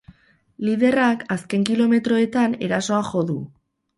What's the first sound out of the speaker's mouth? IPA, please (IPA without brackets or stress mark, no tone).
l